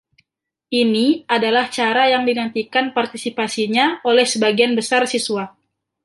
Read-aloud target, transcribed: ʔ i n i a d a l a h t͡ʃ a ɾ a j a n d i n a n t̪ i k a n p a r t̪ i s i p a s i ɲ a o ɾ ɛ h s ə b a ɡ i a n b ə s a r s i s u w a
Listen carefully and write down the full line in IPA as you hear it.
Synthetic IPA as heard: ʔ i n i a d a l a h t͡ʃ a ɾ a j a ŋ d i n a n t̪ i k a n p a r t̪ i s i p a s i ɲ a o l ɛ h s ə b a ɡ i a n b ə s a r s i s u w a